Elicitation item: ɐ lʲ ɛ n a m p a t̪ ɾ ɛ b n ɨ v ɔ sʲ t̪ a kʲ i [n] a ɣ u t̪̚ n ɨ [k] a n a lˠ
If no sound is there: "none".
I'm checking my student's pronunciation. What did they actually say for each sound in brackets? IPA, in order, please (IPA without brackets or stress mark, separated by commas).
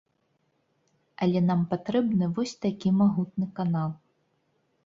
m, k